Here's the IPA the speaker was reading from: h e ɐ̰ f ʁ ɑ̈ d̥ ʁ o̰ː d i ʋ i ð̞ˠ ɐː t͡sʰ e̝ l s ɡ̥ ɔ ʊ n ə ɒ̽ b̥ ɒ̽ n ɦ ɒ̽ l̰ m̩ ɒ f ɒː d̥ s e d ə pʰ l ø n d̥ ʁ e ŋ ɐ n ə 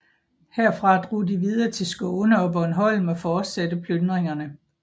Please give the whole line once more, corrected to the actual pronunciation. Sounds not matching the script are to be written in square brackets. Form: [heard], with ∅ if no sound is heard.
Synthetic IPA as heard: h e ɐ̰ f ʁ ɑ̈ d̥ ʁ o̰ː d i ʋ i ð̞ˠ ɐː t͡sʰ e̝ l s ɡ̥ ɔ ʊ n ə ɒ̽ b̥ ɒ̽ n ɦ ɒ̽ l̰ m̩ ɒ f ɒː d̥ s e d ə pʰ l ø n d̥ ʁ e ŋ ɐ n ə